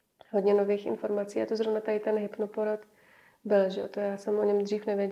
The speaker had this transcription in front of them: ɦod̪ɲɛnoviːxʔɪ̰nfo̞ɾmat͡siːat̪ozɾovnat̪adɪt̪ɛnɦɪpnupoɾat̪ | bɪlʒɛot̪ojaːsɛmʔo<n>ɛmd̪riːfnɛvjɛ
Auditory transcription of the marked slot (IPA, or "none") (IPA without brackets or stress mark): ɲ